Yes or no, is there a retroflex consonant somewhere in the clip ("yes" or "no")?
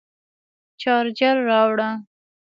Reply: yes